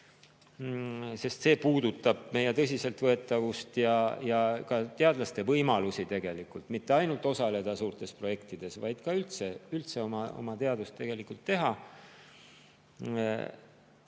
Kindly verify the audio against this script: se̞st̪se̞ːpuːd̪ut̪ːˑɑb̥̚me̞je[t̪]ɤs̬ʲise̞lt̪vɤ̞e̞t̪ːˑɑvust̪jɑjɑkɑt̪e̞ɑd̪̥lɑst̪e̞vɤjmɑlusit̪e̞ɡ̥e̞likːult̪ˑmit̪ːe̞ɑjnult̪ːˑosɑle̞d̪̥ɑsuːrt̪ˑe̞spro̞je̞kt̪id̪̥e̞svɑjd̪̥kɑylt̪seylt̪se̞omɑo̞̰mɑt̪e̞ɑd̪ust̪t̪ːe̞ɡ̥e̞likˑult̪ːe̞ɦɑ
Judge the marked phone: correct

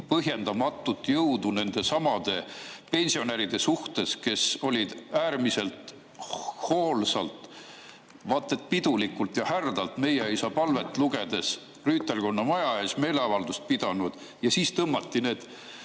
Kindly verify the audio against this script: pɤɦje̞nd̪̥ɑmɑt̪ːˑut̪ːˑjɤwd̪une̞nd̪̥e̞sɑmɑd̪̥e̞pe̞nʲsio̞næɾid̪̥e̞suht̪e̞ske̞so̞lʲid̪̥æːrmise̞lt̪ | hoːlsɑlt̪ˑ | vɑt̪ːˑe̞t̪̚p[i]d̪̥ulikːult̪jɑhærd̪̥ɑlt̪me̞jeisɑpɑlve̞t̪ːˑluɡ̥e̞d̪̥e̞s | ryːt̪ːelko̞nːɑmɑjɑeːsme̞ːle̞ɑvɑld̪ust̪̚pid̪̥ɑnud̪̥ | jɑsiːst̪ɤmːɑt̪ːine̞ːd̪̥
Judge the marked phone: correct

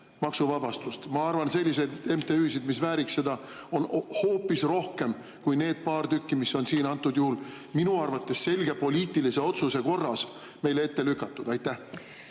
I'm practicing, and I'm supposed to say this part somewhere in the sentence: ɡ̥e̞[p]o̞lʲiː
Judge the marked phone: correct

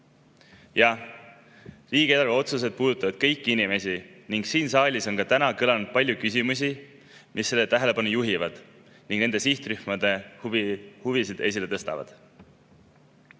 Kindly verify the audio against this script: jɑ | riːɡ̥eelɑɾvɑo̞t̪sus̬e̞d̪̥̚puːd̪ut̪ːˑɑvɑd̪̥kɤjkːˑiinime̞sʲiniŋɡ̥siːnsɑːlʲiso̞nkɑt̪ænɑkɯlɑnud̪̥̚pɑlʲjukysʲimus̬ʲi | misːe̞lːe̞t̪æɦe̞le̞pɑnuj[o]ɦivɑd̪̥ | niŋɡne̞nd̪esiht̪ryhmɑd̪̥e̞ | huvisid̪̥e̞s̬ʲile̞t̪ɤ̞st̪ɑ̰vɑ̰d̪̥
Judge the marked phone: incorrect: u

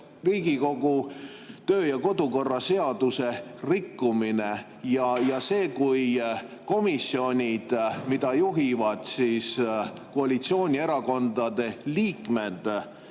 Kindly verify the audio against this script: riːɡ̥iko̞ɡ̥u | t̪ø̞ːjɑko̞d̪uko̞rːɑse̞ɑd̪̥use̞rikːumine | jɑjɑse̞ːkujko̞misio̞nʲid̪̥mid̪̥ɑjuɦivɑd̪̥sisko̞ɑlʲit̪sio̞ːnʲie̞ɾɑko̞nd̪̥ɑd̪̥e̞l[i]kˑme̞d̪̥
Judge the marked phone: incorrect: iː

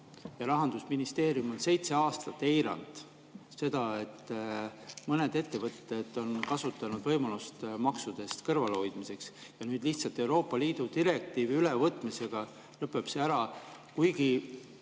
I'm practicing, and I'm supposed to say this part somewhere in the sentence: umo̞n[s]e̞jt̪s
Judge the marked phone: correct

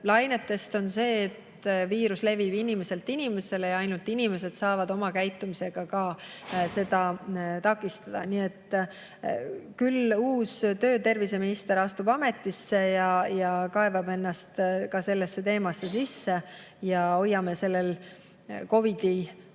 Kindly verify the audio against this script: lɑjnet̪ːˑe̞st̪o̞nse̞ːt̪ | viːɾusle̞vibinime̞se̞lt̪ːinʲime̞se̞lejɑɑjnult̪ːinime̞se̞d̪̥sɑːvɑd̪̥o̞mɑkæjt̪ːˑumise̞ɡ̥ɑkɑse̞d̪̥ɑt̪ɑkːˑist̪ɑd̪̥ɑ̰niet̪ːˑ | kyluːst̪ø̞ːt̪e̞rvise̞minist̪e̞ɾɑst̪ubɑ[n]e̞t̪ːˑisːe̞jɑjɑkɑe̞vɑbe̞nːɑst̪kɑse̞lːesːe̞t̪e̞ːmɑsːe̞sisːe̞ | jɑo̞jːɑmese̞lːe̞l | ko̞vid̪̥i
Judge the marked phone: incorrect: m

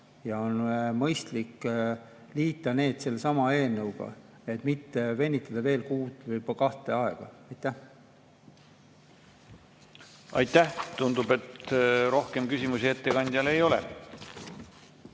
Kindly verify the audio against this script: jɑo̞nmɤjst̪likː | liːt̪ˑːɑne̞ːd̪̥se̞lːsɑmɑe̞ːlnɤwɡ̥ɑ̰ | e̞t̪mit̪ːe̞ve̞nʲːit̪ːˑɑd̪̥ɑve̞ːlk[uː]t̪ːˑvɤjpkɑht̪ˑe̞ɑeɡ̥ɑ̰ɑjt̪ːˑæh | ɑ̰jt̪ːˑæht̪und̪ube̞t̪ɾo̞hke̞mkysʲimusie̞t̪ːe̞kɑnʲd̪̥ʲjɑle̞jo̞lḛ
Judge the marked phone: correct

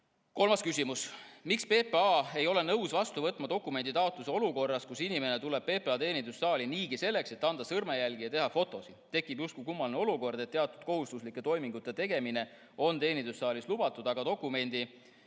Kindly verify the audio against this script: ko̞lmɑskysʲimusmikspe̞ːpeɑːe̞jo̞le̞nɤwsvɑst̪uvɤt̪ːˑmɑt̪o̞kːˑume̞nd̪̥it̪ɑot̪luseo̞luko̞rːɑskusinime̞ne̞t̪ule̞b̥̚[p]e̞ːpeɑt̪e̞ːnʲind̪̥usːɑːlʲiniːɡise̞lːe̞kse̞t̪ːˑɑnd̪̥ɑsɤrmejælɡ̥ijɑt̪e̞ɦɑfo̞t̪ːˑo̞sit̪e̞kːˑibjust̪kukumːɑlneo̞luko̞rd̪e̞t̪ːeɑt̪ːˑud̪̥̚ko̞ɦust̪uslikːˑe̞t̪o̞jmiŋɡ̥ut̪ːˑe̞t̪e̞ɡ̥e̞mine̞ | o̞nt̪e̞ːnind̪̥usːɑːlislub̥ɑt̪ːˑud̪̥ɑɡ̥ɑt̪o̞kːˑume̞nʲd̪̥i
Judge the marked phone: correct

